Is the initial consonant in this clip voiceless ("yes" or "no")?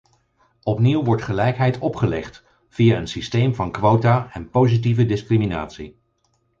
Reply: yes